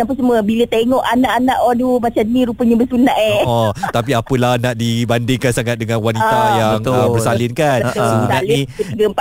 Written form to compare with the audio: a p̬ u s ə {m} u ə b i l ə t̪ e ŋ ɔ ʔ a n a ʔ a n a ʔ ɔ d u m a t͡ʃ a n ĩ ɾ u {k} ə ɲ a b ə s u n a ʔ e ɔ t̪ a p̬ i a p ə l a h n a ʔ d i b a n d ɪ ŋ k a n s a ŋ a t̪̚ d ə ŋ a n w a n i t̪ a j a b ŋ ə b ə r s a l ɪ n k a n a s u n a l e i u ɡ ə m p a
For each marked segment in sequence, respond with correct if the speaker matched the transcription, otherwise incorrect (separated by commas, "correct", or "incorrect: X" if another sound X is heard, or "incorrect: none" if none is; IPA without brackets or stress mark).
correct, incorrect: p